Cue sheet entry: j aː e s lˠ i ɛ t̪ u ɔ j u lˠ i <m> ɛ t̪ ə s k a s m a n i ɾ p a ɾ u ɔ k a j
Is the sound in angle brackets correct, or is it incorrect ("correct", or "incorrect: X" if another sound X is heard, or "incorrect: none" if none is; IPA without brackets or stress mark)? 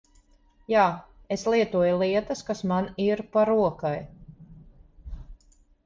incorrect: none